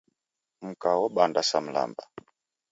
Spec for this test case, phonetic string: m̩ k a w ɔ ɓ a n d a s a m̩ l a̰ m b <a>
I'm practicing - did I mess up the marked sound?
no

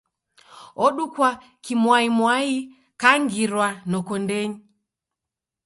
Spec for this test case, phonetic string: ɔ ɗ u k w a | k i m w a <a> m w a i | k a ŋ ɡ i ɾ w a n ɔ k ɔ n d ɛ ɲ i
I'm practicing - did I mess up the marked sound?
yes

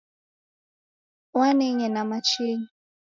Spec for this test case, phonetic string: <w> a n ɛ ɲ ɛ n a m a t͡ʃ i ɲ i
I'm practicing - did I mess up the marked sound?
no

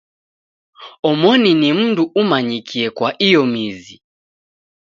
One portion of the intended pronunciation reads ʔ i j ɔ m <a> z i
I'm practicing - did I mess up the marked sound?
yes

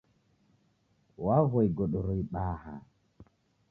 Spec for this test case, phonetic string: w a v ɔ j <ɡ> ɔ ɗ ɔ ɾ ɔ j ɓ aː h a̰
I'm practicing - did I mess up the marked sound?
no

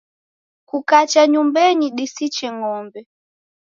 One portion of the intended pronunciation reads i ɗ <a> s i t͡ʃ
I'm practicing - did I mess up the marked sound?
yes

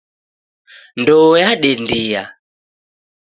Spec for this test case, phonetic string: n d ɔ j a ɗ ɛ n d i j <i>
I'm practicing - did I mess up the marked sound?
yes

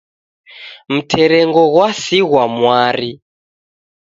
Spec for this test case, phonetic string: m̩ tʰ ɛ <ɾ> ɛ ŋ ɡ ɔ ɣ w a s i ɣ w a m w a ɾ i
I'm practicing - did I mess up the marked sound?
no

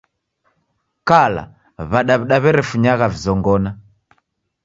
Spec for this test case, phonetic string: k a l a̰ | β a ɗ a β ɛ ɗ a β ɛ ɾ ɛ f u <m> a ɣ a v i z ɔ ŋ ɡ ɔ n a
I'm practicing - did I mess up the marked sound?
yes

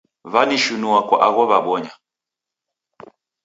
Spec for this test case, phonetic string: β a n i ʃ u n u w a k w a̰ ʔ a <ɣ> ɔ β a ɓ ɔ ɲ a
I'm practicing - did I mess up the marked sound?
no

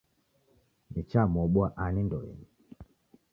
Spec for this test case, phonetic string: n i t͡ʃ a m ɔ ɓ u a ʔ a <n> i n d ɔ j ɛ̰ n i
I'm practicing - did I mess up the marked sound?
no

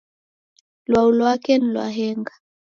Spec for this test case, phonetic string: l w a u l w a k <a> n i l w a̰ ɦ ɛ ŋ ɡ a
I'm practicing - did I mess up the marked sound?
yes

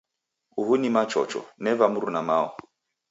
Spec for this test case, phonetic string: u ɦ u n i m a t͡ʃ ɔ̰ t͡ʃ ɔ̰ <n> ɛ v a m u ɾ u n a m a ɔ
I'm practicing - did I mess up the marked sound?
no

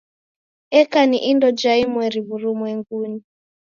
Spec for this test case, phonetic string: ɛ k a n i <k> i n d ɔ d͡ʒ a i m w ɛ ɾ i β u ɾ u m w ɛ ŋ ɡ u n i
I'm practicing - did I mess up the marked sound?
yes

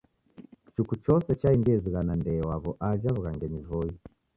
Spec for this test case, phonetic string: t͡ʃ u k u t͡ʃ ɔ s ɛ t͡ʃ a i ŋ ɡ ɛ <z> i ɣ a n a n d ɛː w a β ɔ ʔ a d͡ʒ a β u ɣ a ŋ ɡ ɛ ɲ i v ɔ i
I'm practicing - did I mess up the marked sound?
no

